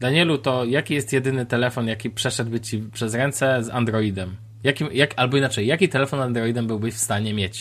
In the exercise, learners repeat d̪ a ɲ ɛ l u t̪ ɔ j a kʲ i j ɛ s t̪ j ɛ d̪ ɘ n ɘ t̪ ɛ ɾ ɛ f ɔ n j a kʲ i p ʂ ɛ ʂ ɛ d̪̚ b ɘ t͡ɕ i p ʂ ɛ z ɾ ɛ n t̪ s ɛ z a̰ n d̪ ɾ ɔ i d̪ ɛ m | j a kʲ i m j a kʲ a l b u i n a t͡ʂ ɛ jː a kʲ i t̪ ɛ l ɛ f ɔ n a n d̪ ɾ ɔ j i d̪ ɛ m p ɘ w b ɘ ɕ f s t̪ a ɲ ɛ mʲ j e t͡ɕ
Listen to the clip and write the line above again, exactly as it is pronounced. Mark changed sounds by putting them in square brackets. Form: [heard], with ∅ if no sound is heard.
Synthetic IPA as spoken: d̪ a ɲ ɛ l u t̪ ɔ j a kʲ i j ɛ s t̪ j ɛ d̪ ɘ n ɘ t̪ ɛ [l] ɛ f ɔ n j a kʲ i p ʂ ɛ ʂ ɛ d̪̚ b ɘ t͡ɕ i p ʂ ɛ z ɾ ɛ n t̪ s ɛ z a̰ n d̪ ɾ ɔ i d̪ ɛ m | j a kʲ i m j a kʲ a l b [ɔ] i n a t͡ʂ ɛ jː a kʲ i t̪ ɛ l ɛ f ɔ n a n d̪ ɾ ɔ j i d̪ ɛ m [b] ɘ w b ɘ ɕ f s t̪ a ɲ ɛ mʲ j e t͡ɕ